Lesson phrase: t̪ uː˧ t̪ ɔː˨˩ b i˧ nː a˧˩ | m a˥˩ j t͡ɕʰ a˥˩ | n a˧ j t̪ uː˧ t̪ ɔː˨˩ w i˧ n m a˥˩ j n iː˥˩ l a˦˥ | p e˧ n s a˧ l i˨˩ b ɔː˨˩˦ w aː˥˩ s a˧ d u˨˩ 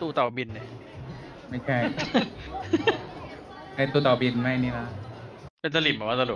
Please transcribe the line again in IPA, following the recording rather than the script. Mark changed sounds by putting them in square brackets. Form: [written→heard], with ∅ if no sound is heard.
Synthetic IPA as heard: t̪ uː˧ t̪ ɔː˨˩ b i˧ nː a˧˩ | m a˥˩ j t͡ɕʰ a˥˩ | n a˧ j t̪ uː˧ t̪ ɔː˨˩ [w→b] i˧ n m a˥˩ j n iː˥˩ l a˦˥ | p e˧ n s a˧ l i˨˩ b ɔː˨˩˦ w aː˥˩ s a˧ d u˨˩